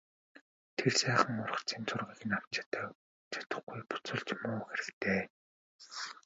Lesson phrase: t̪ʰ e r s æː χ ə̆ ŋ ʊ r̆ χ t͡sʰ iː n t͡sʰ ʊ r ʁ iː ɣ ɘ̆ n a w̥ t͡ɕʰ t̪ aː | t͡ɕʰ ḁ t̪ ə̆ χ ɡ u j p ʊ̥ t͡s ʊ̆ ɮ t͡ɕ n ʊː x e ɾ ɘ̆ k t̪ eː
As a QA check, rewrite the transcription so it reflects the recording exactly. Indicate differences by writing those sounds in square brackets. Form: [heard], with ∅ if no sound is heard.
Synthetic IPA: t̪ʰ e r s æː χ ə̆ ŋ ʊ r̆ χ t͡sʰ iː n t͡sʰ ʊ r ʁ iː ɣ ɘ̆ n a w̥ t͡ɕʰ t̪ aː | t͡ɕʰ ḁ t̪ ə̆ χ ɡ u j p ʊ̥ t͡s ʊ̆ ɮ t͡ɕ [m] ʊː x e ɾ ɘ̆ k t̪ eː

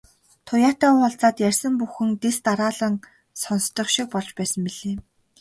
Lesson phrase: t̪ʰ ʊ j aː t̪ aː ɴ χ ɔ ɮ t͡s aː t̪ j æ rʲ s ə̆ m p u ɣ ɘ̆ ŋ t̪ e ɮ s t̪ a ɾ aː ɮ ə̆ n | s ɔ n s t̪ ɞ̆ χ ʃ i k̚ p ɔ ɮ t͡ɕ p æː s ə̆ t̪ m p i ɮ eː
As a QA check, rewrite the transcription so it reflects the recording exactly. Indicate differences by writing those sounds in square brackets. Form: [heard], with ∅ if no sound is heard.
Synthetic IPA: t̪ʰ ʊ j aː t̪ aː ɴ χ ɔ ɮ t͡s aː t̪ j æ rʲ s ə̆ m p u [x] ɘ̆ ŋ t̪ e [∅] s t̪ a ɾ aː ɮ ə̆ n | s ɔ n s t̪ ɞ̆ χ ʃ i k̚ p ɔ ɮ t͡ɕ p æː s ə̆ [∅] m p i ɮ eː

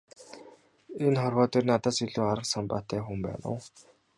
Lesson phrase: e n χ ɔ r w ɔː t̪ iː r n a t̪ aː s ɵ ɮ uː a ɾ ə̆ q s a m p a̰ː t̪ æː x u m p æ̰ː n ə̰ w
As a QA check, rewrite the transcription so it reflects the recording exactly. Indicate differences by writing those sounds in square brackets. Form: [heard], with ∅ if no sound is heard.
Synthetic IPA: e n χ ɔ r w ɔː t̪ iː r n a t̪ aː s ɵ ɮ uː a ɾ ə̆ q s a m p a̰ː t̪ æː x u m p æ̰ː n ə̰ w

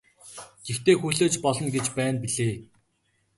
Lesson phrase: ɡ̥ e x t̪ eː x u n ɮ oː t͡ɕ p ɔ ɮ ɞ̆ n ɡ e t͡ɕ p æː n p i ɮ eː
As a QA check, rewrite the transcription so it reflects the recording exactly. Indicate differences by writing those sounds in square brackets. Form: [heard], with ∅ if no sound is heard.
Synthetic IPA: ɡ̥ e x t̪ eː x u [∅] ɮ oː t͡ɕ p ɔ ɮ ɞ̆ n ɡ e t͡ɕ p æː n p i ɮ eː

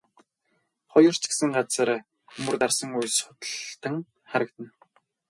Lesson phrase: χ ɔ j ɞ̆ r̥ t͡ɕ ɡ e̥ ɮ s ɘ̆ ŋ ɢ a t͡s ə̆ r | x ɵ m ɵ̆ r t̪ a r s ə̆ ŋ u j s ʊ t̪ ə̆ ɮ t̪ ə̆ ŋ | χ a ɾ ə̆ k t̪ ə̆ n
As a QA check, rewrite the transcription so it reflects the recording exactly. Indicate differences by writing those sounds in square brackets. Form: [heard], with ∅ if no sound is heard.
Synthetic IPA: χ ɔ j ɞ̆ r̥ t͡ɕ ɡ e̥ [∅] s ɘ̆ ŋ ɢ a t͡s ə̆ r | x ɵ m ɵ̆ r t̪ a r s ə̆ ŋ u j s ʊ t̪ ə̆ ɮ t̪ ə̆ ŋ | χ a ɾ ə̆ k t̪ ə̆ n

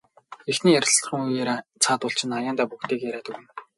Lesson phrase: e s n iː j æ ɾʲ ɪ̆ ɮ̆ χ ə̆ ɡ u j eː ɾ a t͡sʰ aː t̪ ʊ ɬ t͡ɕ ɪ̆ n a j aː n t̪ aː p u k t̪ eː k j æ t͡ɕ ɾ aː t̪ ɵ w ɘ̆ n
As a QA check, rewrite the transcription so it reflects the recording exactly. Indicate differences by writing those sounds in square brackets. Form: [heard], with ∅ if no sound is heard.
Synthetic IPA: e [x] n iː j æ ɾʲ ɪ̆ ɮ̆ χ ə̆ [ŋ] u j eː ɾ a t͡sʰ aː t̪ ʊ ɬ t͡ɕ ɪ̆ n a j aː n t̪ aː p u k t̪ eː k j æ [∅] ɾ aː t̪ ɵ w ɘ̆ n

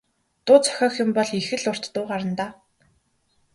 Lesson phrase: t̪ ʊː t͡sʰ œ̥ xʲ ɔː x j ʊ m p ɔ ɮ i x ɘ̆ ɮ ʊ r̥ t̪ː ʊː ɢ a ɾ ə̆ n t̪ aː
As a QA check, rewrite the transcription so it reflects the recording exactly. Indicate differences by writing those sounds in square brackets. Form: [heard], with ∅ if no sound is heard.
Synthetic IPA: t̪ ʊː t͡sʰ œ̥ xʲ ɔː x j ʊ m p ɔ ɮ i x ɘ̆ ɮ ʊ r̥ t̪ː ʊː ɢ a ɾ ə̆ n t̪ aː

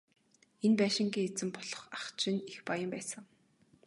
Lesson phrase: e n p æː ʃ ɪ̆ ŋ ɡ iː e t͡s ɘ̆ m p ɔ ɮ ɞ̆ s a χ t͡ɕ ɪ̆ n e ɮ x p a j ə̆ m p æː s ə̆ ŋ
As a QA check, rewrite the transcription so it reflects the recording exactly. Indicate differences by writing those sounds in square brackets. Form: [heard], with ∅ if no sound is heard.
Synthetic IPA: e n p æː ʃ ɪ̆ ŋ ɡ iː e t͡s ɘ̆ m p ɔ ɮ ɞ̆ [χ] a χ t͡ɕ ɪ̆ n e [∅] x p a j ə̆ m p æː s ə̆ ŋ

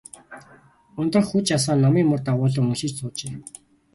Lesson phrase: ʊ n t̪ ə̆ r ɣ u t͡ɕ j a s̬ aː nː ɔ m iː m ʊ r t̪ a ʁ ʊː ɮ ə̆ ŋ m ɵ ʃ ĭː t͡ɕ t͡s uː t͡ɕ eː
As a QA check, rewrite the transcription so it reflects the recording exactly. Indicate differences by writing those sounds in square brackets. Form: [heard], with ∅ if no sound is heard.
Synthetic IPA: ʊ n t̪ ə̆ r [x] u t͡ɕ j a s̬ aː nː ɔ m iː m ʊ r t̪ a ʁ ʊː ɮ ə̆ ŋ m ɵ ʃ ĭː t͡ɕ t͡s [ʊː] t͡ɕ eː

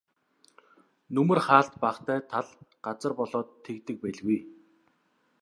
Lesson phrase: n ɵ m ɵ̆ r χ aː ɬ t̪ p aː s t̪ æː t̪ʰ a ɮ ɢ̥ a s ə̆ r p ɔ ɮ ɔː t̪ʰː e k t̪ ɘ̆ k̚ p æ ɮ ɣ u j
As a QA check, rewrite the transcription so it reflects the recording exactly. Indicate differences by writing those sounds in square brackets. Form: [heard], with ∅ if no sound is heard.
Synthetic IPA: n ɵ m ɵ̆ r χ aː ɬ t̪ p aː [χ] t̪ æː t̪ʰ a ɮ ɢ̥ a [t͡s] ə̆ r p ɔ ɮ ɔː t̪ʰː e k t̪ ɘ̆ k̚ p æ ɮ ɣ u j

